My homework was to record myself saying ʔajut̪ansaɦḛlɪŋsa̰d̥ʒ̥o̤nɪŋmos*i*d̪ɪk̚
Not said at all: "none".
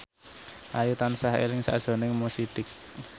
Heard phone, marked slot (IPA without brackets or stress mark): i